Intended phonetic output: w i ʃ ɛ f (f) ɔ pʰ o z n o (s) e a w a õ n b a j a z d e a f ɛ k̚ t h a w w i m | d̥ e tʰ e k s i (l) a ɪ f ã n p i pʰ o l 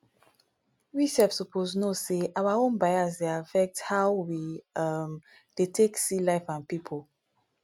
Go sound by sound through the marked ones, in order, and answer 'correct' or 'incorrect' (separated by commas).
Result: incorrect, correct, correct